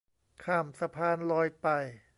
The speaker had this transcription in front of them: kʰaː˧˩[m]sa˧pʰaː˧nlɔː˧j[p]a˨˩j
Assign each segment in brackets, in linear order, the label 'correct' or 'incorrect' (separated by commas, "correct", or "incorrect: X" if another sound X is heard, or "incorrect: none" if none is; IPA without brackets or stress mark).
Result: correct, correct